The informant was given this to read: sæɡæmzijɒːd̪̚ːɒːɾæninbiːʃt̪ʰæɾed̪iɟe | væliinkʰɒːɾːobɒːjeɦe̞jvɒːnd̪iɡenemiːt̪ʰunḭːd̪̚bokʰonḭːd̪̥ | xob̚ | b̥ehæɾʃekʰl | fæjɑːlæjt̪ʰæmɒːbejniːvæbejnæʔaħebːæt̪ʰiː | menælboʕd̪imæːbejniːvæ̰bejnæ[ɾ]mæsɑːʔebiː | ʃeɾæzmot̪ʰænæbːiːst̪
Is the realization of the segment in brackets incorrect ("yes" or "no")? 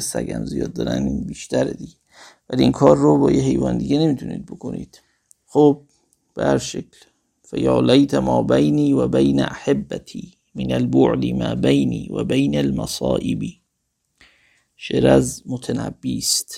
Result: yes